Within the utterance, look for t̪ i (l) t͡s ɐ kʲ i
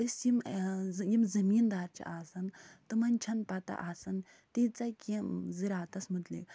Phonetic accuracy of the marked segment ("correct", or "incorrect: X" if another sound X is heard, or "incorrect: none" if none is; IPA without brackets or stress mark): incorrect: none